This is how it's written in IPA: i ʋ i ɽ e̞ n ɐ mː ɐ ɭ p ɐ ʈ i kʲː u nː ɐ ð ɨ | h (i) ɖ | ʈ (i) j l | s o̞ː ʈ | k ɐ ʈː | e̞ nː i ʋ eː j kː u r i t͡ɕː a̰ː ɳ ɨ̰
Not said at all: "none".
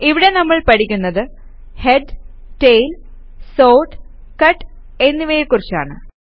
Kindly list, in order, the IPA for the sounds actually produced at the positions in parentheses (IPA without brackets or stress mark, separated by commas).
e, e